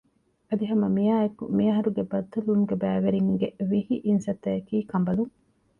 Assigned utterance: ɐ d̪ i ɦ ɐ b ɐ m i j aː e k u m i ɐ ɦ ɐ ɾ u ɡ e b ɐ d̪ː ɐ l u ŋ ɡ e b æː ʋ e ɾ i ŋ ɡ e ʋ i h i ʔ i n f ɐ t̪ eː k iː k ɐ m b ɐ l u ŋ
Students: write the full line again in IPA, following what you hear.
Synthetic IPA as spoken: ɐ d̪ i ɦ ɐ m ɐ m i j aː e k u m i ɐ ɦ ɐ ɾ u ɡ e b ɐ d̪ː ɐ l u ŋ ɡ e b æː ʋ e ɾ i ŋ ɡ e ʋ i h i ʔ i n s ɐ t̪ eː k iː k ɐ m b ɐ l u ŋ